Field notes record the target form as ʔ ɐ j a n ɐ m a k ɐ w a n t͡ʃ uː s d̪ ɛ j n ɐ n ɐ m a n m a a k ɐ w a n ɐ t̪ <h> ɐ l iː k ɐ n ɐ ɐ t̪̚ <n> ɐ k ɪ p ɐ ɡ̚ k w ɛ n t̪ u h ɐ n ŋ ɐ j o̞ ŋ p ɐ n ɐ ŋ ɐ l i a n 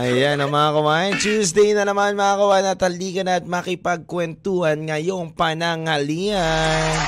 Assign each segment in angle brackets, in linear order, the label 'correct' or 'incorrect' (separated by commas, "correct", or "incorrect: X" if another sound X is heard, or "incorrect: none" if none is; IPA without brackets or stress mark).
correct, incorrect: m